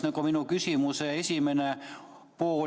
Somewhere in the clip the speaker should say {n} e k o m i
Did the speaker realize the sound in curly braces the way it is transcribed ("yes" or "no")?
yes